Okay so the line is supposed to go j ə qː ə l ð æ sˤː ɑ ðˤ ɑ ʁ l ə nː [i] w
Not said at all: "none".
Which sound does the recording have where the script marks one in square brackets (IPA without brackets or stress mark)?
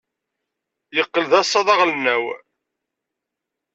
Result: æ